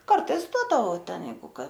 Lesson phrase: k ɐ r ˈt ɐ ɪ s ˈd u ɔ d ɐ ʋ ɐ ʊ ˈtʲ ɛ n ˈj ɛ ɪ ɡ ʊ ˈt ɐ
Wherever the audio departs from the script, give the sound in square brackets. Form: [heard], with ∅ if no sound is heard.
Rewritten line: k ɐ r ˈt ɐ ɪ s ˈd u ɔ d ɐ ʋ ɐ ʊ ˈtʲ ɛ n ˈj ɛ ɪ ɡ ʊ [ˈk] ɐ

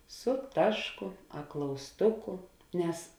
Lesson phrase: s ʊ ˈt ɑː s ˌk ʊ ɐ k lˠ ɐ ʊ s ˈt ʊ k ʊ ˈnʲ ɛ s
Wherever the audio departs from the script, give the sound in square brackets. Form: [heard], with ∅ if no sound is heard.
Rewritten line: s ʊ ˈt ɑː [ʃ] ˌk ʊ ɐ k lˠ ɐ ʊ s ˈt ʊ k ʊ ˈnʲ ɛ s

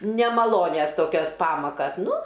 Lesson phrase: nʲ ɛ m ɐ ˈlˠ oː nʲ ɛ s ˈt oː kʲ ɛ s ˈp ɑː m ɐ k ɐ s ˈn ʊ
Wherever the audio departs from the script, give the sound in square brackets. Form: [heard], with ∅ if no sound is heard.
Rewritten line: nʲ ɛ m ɐ ˈlˠ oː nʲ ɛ s ˈt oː kʲ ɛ s ˈp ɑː m ɐ k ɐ s ˈn ʊ

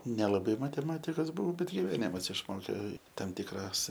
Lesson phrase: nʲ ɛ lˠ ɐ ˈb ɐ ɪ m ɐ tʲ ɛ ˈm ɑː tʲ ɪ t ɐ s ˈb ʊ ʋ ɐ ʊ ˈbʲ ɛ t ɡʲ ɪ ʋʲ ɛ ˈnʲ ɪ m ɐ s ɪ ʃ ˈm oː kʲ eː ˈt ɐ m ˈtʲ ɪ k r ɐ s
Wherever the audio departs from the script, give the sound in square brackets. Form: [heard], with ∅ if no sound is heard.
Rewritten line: nʲ ɛ lˠ ɐ ˈb ɐ ɪ m ɐ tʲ ɛ ˈm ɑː tʲ ɪ [k] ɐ s ˈb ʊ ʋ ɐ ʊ ˈbʲ ɛ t ɡʲ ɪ ʋʲ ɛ ˈnʲ ɪ m ɐ s ɪ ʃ ˈm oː kʲ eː ˈt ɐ m ˈtʲ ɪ k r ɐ s

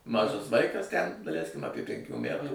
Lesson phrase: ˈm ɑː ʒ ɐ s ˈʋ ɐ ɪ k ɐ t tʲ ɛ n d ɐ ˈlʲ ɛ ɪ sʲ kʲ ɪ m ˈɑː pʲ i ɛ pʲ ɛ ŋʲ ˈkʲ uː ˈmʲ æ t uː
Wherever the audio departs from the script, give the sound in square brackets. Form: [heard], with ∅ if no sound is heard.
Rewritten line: ˈm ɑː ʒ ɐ s ˈʋ ɐ ɪ k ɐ [s] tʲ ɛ n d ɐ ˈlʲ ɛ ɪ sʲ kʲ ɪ m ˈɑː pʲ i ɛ pʲ ɛ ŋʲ ˈkʲ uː ˈmʲ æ t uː

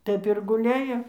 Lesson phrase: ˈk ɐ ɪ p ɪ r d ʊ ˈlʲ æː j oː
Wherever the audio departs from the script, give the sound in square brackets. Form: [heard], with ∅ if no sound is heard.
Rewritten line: [ˈt] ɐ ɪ p ɪ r [ɡ] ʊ ˈlʲ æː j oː

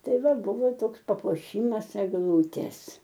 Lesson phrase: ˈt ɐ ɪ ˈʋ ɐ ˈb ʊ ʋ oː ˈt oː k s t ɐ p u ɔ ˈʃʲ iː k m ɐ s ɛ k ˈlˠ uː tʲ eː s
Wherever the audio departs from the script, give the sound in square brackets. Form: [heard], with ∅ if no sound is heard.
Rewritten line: ˈt ɐ ɪ ˈʋ ɐ ˈb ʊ ʋ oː ˈt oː k s [p] ɐ p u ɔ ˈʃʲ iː [∅] m ɐ s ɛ [ɡ] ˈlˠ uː tʲ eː s

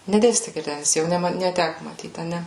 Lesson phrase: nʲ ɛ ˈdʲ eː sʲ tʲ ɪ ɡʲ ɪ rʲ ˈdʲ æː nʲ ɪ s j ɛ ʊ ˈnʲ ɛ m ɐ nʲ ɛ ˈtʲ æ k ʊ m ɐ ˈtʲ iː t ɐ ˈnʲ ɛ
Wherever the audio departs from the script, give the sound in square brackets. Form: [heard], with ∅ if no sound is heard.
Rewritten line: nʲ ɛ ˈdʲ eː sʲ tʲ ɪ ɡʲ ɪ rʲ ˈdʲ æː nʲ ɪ s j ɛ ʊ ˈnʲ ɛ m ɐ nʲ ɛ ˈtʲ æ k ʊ m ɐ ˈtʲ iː t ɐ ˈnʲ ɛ

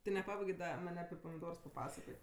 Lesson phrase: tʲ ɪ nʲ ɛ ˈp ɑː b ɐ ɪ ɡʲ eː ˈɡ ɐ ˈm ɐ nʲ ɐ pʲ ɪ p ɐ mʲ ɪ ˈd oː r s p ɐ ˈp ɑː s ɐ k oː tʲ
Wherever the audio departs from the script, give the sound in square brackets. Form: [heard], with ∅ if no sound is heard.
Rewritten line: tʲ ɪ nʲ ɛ ˈp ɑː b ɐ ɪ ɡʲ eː [ˈd] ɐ ˈm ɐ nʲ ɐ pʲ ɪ p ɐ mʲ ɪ ˈd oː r s p ɐ ˈp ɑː s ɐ k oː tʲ

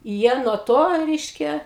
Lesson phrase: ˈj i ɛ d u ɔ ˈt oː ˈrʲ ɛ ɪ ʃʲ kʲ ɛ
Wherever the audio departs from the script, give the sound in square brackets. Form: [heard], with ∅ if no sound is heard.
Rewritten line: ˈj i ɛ [n] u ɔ ˈt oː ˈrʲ ɛ ɪ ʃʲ kʲ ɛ

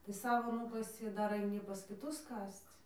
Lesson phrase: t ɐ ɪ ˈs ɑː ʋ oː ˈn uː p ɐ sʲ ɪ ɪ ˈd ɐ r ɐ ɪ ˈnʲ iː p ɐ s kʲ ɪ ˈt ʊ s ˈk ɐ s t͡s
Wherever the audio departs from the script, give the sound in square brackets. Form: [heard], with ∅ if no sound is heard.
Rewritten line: t ɐ ɪ ˈs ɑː ʋ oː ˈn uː [k] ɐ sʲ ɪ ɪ ˈd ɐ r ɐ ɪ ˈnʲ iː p ɐ s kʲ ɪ ˈt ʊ s ˈk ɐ s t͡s

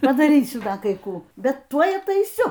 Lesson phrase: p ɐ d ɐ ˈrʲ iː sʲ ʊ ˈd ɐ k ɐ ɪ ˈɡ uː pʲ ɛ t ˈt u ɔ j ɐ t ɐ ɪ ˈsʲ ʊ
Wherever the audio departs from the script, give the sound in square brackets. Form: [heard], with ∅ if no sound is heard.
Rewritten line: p ɐ d ɐ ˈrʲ iː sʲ ʊ ˈd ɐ k ɐ ɪ [ˈk] uː [bʲ] ɛ t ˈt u ɔ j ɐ t ɐ ɪ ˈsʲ ʊ

